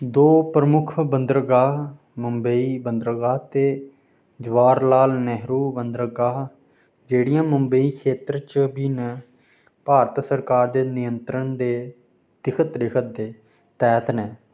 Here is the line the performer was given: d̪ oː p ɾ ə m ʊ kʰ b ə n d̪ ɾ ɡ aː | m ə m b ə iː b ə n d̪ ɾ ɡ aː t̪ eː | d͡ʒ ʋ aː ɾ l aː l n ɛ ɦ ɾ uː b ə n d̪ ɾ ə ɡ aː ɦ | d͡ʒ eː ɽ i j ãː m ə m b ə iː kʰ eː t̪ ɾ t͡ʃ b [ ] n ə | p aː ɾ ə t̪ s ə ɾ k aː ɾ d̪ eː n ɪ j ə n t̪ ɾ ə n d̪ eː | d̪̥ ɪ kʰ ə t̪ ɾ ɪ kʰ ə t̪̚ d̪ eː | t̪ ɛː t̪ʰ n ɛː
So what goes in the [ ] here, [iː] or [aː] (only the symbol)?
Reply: iː